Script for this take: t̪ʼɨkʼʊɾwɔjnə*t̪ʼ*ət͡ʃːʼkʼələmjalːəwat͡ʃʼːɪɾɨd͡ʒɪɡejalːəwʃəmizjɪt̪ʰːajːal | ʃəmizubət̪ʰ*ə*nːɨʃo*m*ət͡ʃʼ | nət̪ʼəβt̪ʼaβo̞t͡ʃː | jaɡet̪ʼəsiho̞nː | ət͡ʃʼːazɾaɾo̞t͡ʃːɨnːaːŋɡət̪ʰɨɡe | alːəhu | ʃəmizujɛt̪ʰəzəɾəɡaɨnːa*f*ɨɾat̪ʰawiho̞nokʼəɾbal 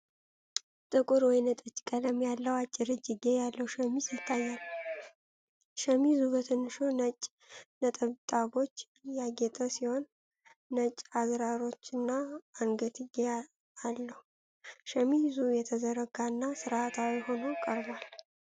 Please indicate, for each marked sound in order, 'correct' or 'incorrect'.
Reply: correct, correct, incorrect, incorrect

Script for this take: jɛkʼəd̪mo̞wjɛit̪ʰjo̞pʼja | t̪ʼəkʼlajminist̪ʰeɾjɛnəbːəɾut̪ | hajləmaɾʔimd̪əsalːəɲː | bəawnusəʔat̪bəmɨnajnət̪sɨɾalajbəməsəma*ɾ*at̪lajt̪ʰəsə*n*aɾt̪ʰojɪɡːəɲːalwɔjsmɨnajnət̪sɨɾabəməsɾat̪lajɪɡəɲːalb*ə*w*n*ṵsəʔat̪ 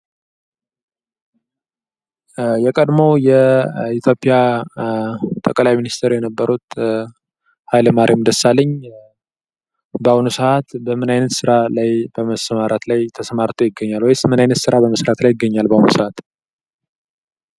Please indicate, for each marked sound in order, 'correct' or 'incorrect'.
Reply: correct, incorrect, incorrect, correct

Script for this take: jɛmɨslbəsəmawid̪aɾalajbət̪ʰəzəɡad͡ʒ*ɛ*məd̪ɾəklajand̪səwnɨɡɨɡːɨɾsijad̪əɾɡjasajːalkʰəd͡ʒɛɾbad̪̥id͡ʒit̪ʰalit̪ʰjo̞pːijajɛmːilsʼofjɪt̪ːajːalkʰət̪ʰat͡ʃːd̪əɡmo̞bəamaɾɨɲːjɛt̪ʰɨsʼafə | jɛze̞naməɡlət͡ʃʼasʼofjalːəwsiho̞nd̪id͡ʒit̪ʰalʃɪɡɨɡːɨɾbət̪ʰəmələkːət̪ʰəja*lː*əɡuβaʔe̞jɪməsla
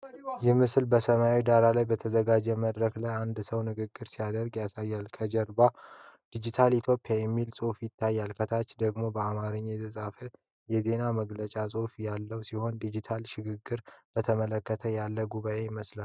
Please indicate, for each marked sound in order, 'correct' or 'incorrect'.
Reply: correct, correct

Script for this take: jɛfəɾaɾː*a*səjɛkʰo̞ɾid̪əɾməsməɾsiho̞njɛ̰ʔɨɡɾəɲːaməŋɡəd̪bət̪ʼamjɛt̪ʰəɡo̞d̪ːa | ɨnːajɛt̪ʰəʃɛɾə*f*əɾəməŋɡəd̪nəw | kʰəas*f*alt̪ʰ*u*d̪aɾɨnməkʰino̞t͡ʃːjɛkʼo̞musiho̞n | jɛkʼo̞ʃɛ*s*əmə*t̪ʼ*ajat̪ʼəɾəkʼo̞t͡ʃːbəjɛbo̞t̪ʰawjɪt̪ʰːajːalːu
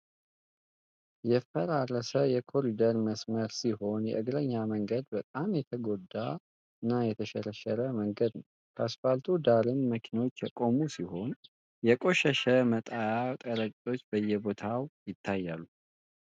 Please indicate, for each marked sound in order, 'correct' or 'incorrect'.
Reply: incorrect, incorrect, correct, correct, incorrect, correct

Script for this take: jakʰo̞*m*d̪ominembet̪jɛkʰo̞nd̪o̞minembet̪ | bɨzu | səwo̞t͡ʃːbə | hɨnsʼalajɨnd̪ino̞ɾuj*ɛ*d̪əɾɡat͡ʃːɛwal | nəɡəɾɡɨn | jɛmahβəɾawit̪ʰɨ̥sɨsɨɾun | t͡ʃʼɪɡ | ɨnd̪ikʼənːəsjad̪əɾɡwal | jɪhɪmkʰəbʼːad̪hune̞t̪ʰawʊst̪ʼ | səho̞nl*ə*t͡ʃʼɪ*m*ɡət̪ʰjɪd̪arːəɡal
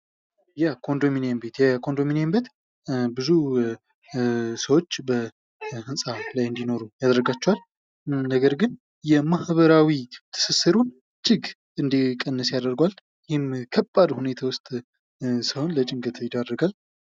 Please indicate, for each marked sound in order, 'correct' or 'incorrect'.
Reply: incorrect, incorrect, correct, incorrect

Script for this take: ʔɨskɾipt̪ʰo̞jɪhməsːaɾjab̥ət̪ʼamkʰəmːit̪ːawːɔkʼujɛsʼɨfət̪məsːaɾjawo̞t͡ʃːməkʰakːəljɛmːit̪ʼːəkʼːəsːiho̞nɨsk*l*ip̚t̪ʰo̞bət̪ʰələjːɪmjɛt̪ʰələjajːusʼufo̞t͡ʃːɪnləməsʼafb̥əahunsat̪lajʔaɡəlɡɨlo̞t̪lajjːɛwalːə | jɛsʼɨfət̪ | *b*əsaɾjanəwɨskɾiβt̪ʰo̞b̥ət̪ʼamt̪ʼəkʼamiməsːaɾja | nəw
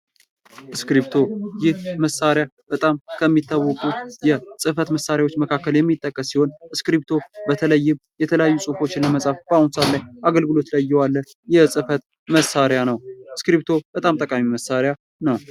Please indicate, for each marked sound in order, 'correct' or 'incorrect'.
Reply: incorrect, incorrect

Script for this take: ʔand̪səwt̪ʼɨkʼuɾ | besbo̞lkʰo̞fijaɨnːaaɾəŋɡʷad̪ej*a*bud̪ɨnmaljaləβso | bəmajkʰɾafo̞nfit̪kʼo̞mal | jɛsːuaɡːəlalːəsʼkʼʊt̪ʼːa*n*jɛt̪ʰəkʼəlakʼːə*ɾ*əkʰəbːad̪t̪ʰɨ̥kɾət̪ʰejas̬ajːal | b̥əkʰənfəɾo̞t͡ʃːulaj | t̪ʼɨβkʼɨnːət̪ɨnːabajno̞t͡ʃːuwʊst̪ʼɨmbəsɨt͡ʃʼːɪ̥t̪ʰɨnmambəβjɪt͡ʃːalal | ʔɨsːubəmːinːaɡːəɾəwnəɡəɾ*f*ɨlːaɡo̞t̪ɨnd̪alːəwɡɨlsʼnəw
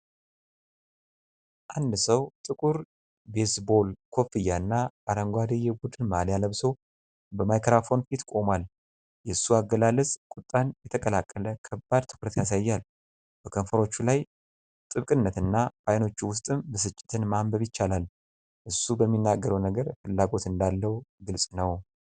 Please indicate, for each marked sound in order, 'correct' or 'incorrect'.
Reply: incorrect, correct, incorrect, correct

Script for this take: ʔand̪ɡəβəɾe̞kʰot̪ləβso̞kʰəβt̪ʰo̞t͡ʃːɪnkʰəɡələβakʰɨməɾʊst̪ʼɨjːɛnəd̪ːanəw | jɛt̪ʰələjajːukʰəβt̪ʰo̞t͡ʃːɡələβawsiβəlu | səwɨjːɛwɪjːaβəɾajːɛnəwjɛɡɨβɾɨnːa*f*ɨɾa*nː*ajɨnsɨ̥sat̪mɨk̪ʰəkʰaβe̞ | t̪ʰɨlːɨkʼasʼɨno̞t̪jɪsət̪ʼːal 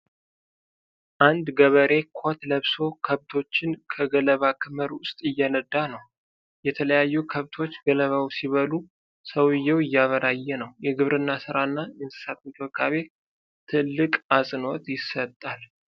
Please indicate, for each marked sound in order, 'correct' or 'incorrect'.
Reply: incorrect, correct

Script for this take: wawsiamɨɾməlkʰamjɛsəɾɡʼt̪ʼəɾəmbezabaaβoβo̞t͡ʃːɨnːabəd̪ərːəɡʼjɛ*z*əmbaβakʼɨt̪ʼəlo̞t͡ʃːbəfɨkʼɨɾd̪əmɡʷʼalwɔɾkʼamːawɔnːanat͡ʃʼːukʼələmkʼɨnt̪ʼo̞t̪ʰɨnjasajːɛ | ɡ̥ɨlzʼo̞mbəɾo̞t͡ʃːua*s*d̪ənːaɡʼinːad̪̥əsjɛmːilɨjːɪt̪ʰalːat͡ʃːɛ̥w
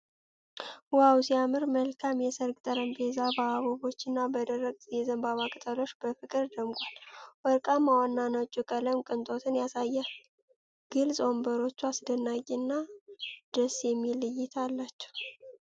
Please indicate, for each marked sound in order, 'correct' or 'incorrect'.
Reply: correct, correct

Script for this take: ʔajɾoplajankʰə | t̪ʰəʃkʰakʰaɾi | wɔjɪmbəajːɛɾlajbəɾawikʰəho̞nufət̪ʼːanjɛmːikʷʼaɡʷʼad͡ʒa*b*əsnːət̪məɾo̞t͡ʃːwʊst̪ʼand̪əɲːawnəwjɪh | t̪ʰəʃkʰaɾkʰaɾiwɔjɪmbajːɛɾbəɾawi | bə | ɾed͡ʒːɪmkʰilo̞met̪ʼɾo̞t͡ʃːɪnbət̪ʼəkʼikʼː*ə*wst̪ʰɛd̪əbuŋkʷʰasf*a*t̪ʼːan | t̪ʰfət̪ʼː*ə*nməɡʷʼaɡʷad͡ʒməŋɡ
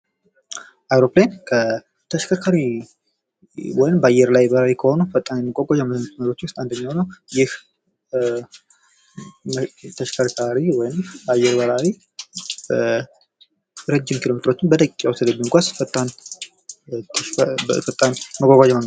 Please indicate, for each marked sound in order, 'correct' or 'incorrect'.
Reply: incorrect, incorrect, incorrect, incorrect

